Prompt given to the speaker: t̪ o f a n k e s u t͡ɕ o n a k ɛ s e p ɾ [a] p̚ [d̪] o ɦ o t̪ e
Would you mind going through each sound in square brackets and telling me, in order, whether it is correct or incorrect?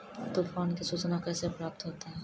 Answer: correct, incorrect: t̪

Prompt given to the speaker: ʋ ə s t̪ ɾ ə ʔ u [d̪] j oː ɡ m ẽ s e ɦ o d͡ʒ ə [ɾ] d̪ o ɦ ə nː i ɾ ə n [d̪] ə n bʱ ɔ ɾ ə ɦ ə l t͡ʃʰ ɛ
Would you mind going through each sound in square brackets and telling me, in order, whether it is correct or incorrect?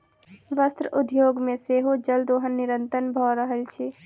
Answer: correct, incorrect: l, incorrect: t̪

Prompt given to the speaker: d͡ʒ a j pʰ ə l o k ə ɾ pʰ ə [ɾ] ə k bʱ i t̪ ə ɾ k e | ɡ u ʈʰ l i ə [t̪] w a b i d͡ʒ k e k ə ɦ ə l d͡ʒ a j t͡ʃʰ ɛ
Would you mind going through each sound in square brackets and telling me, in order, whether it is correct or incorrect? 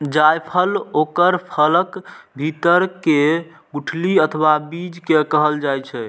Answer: incorrect: l, incorrect: t̪ʰ

